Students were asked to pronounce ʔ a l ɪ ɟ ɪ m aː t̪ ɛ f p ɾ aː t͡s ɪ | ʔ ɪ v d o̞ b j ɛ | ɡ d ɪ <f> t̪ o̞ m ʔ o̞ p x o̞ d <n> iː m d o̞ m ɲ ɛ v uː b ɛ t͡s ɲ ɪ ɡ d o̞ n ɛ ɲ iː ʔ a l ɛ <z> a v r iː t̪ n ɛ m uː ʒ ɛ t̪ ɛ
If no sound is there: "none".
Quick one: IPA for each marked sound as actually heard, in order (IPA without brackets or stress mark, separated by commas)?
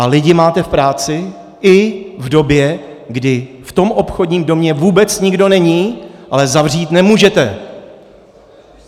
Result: f, ɲ, z